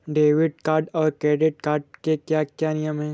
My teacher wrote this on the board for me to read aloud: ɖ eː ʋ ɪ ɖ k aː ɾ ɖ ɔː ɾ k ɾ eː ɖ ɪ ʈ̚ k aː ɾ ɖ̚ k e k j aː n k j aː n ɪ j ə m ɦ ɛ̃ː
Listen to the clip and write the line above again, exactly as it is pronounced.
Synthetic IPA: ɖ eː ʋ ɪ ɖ k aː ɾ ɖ ɔː ɾ k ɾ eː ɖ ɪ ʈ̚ k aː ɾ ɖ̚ k e k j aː k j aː n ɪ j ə m ɦ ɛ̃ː

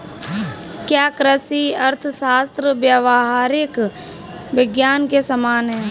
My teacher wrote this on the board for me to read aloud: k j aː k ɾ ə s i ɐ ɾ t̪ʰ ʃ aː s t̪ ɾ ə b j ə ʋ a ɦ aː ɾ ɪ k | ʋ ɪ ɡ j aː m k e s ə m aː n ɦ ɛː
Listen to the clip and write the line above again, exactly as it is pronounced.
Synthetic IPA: k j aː k ɾ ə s i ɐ ɾ t̪ʰ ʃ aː s t̪ ɾ ə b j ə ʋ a ɦ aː ɾ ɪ k | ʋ ɪ ɡ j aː n k e s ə m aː n ɦ ɛː

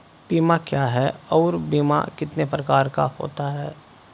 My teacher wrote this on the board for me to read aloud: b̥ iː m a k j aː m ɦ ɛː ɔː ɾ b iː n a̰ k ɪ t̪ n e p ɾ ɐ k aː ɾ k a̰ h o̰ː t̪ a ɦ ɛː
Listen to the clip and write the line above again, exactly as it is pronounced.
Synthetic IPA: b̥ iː m a k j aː ɦ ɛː ɔː ɾ b iː m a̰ k ɪ t̪ n e p ɾ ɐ k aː ɾ k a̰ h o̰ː t̪ a ɦ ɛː

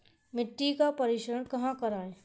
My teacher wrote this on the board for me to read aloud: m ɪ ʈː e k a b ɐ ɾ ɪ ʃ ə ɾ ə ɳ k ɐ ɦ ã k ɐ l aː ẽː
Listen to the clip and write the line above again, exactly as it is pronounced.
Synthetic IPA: m ɪ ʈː i k a p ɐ ɾ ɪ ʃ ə ɾ ə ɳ k ɐ ɦ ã k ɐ ɾ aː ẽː

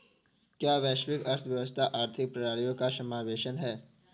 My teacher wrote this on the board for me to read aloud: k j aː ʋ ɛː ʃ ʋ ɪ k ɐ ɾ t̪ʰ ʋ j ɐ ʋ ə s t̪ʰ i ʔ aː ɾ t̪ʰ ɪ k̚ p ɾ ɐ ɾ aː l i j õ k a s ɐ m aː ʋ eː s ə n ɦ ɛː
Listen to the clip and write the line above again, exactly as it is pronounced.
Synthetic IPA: k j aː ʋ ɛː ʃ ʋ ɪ k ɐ ɾ t̪ʰ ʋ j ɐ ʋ ə s t̪ʰ a ʔ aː ɾ t̪ʰ ɪ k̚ p ɾ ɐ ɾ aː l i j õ k a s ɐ m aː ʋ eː ʃ ə n ɦ ɛː

